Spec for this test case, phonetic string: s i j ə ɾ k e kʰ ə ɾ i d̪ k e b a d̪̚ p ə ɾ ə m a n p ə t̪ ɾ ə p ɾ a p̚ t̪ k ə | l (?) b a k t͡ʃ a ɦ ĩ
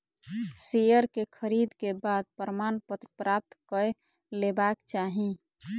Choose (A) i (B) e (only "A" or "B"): B